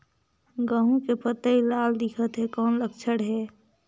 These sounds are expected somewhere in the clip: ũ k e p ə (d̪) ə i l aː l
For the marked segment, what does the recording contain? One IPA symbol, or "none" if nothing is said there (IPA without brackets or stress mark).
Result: t̪